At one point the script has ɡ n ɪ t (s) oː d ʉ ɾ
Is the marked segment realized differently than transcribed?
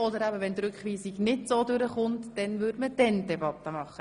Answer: no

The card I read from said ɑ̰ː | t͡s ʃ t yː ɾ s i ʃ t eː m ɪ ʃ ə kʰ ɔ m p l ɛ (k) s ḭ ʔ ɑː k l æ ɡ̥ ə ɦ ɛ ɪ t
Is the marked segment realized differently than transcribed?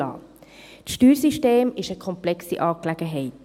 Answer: no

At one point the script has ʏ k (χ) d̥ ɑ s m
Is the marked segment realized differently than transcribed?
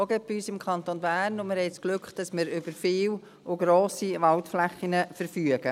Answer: no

